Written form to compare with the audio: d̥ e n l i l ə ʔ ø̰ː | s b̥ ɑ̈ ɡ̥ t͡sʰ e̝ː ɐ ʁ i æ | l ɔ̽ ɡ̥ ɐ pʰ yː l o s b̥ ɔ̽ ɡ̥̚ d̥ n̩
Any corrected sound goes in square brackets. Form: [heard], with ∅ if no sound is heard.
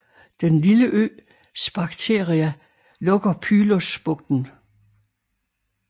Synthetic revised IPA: d̥ e n l i l ə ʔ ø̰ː | s b̥ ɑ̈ ɡ̥ t͡sʰ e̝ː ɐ ʁ i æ | l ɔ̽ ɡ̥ ɐ pʰ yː l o s b̥ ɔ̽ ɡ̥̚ d̥ n̩